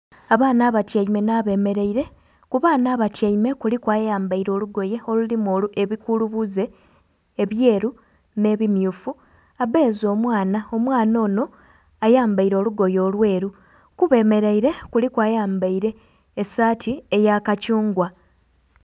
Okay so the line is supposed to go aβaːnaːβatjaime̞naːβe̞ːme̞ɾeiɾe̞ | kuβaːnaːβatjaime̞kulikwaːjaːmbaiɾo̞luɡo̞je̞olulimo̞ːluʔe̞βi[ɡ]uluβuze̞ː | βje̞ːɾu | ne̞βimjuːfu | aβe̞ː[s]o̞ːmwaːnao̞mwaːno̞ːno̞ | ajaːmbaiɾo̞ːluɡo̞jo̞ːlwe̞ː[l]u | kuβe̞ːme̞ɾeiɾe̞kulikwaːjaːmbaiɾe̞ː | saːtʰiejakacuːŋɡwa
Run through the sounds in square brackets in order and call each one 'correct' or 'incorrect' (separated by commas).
incorrect, incorrect, incorrect